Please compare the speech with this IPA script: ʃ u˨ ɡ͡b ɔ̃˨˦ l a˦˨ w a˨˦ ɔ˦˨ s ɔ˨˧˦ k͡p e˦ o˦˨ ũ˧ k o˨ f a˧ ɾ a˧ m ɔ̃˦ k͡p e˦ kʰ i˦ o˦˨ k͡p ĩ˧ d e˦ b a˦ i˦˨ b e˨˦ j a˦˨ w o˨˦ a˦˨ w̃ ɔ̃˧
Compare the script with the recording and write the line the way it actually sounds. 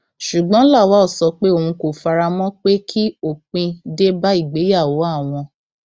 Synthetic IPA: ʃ u˨ ɡ͡b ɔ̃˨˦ l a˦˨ w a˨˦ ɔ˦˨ s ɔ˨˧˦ k͡p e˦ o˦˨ ũ˧ k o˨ f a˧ ɾ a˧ m ɔ̃˦ k͡p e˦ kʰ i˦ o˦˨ k͡p ĩ˧ d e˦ b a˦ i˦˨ ɡ͡b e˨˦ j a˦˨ w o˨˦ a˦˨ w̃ ɔ̃˧